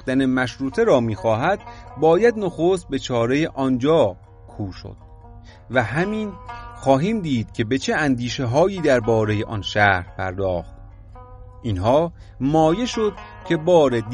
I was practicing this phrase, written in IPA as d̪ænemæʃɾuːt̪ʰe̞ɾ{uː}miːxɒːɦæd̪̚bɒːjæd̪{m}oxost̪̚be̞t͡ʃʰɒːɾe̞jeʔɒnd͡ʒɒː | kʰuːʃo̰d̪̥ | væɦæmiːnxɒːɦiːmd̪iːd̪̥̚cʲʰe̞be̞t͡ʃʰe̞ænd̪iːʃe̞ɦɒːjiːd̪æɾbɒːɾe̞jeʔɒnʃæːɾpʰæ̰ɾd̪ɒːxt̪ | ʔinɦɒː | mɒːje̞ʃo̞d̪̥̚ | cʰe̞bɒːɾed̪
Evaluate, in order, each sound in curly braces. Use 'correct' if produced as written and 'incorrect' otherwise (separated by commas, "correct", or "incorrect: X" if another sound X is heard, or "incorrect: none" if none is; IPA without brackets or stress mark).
incorrect: ɒː, incorrect: n